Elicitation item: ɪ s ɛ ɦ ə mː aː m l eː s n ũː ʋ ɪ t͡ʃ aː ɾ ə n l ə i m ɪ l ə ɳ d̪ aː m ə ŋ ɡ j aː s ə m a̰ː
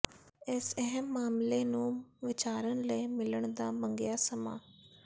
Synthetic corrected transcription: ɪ s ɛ ɦ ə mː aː m l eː n ũː ʋ ɪ t͡ʃ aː ɾ ə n l ə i m ɪ l ə ɳ d̪ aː m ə ŋ ɡ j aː s ə m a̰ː